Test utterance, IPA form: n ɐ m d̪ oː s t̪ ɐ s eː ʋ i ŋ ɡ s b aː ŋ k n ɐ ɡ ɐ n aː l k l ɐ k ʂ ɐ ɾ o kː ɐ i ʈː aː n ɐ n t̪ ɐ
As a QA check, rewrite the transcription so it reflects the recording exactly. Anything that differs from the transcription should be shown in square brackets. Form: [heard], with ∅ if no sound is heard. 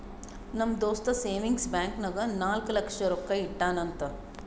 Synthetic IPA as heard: n ɐ m d̪ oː s t̪ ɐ s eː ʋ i ŋ ɡ s b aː ŋ k n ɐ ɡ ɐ n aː l k l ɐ k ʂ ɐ ɾ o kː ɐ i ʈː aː n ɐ n t̪ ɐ